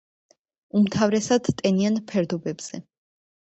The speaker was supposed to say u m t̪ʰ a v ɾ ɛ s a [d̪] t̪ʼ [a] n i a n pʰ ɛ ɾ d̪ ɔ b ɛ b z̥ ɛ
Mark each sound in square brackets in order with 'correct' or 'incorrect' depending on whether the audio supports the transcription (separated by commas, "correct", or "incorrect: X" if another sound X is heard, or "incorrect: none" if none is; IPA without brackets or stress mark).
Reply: correct, incorrect: ɛ